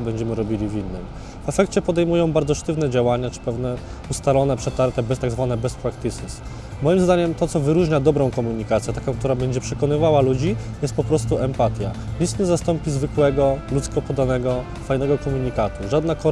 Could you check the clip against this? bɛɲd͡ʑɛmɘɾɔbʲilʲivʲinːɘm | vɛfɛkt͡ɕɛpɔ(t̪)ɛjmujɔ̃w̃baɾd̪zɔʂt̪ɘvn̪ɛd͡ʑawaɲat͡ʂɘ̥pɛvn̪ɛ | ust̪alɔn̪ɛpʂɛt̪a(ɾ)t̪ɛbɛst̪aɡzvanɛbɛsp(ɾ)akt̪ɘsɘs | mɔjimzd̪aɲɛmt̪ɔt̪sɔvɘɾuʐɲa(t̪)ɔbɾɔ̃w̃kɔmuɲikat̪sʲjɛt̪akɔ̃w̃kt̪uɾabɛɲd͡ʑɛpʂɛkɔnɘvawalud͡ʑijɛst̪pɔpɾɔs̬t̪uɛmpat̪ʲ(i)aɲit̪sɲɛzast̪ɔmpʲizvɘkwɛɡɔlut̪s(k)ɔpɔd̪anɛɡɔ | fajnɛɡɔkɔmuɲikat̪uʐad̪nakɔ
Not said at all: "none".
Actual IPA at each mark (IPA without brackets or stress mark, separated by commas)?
d̪, ɾ, ɾ, d̪, j, k